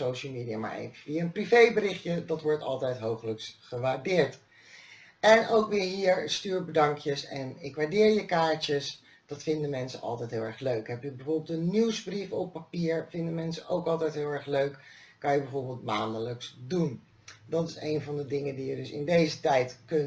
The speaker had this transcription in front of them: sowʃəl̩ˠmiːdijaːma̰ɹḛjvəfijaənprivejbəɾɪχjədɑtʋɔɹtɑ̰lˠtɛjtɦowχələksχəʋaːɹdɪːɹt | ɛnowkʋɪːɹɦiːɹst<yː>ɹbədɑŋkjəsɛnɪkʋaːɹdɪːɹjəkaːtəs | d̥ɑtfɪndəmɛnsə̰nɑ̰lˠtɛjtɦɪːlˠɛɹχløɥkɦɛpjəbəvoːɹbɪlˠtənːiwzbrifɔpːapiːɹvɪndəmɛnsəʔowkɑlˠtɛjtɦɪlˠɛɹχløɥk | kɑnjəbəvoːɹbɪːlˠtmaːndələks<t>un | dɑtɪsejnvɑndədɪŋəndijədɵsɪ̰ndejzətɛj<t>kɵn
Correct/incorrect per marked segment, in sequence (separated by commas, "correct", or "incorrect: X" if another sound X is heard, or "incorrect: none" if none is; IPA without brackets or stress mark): correct, incorrect: d, correct